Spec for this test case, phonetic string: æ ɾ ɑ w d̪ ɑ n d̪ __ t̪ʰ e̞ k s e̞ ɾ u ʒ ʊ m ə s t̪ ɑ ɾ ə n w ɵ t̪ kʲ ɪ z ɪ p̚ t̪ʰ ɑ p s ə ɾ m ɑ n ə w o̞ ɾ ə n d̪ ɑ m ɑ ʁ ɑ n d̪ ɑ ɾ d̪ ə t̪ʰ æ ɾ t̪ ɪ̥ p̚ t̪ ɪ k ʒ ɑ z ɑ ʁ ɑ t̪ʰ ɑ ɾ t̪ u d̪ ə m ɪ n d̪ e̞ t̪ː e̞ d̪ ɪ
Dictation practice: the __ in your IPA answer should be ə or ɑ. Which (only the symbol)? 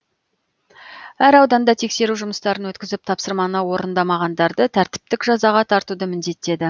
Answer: ɑ